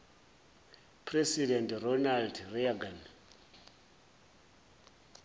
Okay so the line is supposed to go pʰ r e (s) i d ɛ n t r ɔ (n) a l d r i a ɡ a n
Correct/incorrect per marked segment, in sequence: correct, correct

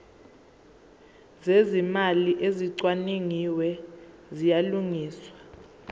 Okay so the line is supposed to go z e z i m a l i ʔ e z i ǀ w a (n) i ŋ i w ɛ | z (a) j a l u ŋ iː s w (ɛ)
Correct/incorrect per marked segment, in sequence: correct, incorrect: i, incorrect: a

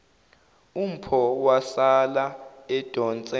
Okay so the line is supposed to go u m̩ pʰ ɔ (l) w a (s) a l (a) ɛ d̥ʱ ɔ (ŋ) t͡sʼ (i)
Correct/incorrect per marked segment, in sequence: incorrect: none, correct, correct, incorrect: n, incorrect: ɛ

